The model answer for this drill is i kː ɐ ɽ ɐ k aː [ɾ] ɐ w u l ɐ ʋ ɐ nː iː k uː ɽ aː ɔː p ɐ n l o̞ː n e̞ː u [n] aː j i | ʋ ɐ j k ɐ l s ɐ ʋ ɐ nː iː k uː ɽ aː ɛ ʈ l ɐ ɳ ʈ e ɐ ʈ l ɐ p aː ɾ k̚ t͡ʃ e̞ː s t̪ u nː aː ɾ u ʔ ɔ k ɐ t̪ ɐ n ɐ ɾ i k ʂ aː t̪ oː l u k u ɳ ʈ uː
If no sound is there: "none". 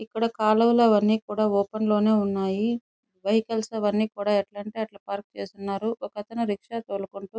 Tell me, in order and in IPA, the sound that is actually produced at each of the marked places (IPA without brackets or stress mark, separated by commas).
l, nː